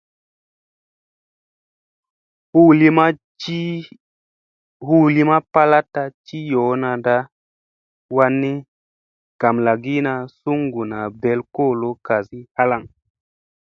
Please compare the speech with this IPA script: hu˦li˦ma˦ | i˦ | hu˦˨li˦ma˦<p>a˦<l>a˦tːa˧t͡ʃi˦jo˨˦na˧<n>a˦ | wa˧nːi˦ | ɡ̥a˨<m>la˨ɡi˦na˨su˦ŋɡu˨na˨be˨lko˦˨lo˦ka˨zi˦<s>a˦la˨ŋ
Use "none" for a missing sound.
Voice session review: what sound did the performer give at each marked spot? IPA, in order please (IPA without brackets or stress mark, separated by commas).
p, l, d, m, h